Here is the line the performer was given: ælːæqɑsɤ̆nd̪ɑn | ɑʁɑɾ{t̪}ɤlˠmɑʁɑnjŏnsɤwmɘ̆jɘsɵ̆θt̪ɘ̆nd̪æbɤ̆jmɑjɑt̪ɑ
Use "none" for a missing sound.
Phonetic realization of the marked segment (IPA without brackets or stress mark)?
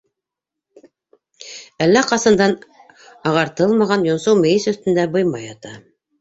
t̪